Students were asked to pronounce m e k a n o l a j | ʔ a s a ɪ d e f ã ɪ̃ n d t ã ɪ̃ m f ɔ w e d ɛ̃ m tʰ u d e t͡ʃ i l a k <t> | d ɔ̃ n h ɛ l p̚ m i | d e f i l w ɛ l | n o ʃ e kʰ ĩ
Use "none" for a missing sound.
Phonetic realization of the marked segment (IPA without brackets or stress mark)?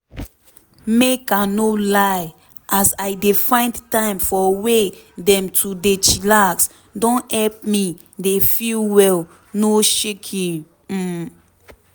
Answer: s